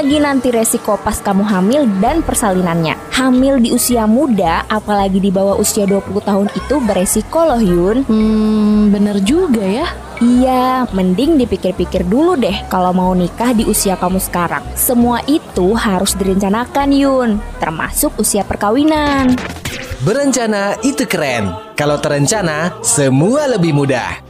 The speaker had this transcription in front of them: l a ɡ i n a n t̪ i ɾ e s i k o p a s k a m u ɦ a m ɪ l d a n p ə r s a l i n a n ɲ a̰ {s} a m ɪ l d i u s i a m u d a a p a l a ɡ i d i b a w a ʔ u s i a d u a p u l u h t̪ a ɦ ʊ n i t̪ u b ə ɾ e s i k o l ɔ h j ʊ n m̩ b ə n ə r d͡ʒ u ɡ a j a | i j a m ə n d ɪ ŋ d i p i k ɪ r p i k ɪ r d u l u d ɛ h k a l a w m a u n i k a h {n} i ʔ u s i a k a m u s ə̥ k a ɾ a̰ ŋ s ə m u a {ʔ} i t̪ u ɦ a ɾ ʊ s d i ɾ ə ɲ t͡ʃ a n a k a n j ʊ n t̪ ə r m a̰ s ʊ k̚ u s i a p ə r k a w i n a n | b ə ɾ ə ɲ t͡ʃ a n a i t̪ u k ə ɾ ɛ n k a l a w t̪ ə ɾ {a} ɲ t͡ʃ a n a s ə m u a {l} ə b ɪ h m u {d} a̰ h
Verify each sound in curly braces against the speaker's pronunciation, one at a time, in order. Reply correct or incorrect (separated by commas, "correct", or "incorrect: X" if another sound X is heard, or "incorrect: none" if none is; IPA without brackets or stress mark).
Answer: incorrect: h, incorrect: d, correct, incorrect: ə, correct, correct